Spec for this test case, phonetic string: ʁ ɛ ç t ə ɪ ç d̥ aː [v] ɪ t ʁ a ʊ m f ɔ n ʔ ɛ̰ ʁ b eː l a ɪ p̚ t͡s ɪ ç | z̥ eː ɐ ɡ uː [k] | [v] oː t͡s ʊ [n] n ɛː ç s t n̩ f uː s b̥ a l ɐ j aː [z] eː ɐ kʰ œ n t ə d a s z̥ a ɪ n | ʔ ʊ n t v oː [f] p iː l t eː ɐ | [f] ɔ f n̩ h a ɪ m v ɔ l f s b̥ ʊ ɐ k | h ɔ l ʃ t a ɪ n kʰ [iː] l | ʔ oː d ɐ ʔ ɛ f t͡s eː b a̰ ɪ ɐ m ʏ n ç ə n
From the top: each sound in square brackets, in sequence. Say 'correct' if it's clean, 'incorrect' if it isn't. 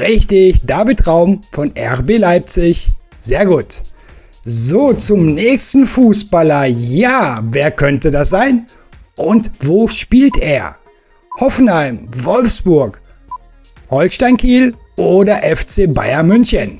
correct, incorrect: t, incorrect: z, incorrect: m, incorrect: v, incorrect: ʃ, incorrect: h, correct

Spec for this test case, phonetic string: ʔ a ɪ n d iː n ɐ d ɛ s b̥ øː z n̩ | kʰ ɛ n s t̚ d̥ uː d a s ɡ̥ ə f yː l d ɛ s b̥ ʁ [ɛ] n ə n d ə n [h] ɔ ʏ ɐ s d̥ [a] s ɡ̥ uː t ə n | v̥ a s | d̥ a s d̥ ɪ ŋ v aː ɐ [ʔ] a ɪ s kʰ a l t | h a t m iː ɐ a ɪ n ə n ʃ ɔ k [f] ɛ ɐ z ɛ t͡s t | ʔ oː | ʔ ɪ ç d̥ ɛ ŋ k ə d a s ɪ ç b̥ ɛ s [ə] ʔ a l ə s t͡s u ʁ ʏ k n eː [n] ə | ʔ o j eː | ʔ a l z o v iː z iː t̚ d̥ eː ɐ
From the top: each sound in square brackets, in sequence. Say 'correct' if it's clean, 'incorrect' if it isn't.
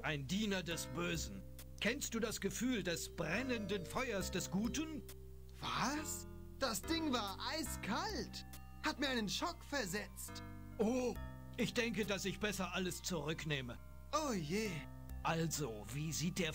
correct, incorrect: f, incorrect: ɛ, correct, correct, incorrect: ɐ, incorrect: m

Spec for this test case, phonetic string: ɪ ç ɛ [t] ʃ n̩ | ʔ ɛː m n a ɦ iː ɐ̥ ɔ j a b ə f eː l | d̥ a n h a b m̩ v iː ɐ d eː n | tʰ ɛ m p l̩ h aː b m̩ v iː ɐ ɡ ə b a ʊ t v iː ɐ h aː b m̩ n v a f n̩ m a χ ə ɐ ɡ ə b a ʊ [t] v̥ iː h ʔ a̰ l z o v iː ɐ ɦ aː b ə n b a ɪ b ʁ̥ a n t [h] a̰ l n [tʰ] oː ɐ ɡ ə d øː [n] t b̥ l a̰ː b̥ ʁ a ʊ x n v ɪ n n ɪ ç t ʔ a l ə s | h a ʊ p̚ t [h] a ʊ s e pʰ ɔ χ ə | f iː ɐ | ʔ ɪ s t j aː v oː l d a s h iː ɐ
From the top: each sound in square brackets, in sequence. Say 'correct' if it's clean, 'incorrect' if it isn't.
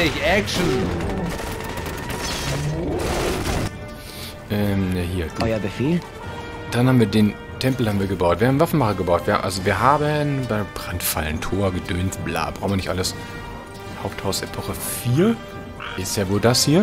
incorrect: k, correct, incorrect: f, correct, correct, correct

